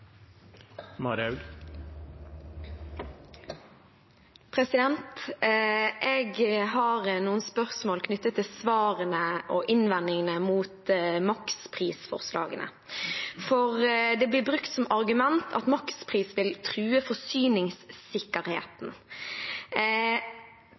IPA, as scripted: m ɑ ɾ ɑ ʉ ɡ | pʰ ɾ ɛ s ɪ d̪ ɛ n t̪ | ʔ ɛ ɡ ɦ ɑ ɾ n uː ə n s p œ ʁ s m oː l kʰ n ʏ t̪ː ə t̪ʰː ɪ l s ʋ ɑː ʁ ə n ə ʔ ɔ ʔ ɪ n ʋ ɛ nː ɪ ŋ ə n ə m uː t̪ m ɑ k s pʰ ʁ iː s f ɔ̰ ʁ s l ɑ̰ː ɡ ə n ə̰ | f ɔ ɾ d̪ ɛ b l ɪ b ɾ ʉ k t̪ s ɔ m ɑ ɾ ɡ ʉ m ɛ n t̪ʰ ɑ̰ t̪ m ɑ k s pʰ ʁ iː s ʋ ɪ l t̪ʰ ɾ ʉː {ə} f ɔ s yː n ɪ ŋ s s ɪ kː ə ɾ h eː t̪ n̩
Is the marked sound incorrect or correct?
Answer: correct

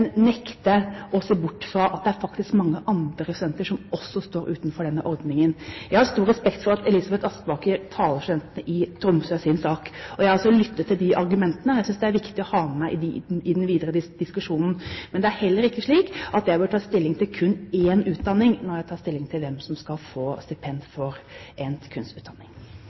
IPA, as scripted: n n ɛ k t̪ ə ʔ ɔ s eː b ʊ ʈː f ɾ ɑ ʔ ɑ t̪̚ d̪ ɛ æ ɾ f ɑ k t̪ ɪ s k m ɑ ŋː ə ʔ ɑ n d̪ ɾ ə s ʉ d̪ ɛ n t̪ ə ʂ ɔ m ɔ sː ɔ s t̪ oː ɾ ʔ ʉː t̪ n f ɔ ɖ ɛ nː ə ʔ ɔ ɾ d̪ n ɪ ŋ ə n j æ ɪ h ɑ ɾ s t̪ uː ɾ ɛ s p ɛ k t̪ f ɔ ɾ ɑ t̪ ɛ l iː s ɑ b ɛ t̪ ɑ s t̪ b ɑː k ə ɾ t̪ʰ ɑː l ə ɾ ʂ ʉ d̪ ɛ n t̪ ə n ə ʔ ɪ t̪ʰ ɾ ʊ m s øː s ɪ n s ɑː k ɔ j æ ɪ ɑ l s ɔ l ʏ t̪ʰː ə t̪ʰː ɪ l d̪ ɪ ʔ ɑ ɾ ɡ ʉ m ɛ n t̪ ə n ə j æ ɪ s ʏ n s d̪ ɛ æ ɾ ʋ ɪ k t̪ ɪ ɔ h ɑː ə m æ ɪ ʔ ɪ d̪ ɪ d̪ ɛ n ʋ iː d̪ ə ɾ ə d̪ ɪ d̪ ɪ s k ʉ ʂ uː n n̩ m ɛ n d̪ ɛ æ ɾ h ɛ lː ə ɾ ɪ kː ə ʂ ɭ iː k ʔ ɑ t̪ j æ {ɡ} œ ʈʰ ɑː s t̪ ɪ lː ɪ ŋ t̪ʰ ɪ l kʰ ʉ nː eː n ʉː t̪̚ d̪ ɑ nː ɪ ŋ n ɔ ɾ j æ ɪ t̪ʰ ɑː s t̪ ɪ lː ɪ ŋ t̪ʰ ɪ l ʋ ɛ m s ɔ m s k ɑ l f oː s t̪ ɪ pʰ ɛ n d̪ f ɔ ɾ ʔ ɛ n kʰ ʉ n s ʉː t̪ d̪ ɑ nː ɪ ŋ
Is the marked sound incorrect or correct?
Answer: incorrect: b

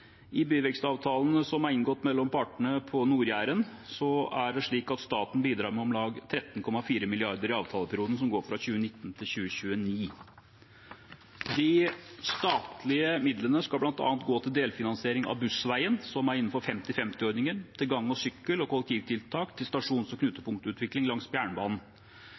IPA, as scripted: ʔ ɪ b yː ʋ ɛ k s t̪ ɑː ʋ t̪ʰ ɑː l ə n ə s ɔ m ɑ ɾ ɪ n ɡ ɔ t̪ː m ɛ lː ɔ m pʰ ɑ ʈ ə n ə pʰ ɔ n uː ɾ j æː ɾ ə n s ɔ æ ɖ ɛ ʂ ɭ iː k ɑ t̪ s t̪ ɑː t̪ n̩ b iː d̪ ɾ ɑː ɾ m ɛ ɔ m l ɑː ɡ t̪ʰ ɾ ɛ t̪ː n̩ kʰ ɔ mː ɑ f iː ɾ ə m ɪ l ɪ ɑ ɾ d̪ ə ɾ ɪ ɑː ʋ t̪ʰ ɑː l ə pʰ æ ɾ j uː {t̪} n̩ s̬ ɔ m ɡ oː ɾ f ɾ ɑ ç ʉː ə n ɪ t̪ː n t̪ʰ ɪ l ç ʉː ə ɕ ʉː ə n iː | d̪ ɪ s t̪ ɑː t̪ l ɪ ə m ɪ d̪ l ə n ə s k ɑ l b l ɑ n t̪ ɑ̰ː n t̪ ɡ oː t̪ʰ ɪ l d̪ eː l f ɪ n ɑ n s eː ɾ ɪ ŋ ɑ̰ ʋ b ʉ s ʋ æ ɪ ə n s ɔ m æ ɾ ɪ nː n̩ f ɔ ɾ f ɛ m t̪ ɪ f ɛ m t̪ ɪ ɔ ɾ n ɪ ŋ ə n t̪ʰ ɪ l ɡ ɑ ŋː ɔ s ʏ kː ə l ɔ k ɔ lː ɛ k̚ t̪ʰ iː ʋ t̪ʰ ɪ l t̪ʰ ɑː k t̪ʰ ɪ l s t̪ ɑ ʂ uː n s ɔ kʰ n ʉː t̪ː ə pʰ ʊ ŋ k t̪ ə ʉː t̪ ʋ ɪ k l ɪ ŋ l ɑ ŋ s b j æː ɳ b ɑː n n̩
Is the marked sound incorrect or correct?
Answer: incorrect: d̪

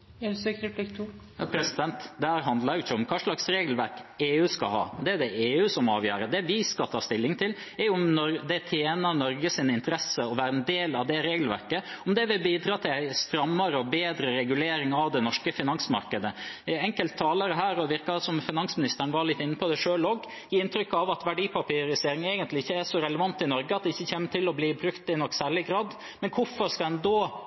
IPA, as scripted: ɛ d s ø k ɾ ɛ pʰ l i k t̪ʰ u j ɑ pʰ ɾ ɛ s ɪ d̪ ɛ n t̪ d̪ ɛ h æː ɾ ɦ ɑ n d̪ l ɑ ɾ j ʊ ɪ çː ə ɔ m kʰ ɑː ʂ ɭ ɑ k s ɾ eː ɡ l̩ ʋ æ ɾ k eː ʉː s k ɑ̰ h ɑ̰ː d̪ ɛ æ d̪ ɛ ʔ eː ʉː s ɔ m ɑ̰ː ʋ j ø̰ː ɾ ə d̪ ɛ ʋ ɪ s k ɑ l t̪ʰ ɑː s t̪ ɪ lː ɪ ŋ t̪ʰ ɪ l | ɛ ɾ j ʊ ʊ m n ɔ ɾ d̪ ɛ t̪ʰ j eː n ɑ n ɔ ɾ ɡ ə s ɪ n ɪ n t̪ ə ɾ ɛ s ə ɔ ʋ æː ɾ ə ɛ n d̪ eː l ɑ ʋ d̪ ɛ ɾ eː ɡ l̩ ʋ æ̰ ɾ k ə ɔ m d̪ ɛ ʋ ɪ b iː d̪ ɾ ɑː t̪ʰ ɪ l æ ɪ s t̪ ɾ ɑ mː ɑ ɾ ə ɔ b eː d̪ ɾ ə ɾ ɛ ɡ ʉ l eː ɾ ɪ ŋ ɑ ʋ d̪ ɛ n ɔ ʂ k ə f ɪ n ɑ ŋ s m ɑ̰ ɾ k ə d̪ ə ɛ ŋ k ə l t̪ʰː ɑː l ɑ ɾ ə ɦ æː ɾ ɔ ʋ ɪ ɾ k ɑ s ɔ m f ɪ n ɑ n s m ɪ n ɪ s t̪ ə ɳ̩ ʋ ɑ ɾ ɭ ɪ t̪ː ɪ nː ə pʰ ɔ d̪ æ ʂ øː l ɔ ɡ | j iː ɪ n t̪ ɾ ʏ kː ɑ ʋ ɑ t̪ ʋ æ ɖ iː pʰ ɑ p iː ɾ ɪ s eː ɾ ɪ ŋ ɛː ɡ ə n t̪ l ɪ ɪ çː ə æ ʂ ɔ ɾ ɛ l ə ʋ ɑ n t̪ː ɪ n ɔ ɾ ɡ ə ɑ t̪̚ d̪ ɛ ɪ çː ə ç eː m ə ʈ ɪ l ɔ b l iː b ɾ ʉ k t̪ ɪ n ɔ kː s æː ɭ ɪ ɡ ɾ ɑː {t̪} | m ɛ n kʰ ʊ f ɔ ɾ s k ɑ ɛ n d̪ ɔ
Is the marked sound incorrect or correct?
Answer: incorrect: d̪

